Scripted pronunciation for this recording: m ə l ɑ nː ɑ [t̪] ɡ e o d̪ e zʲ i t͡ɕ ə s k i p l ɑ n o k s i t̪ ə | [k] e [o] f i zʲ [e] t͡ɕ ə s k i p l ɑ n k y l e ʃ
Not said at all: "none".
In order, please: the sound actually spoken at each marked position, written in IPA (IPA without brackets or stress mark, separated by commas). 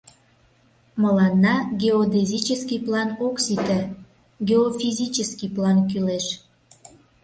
none, ɡ, o, i